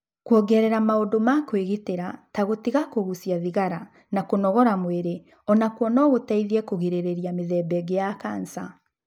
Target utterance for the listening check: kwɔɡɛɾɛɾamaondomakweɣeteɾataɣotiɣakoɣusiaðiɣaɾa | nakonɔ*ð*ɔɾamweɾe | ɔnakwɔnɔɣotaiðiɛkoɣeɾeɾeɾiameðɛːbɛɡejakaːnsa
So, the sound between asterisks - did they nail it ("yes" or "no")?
no